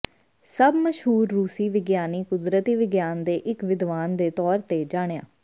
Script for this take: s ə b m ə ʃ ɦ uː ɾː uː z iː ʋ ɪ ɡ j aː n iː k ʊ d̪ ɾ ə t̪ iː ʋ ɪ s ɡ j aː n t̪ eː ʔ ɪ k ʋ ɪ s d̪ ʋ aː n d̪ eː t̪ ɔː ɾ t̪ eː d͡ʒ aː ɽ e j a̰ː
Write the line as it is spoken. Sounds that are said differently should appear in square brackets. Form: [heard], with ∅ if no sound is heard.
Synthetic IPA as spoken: s ə b m ə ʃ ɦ uː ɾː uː [s] iː ʋ ɪ ɡ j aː n iː k ʊ d̪ ɾ ə t̪ iː ʋ ɪ [∅] ɡ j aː n [d̪] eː ʔ ɪ k ʋ ɪ [∅] d̪ ʋ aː n d̪ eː t̪ ɔː ɾ t̪ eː d͡ʒ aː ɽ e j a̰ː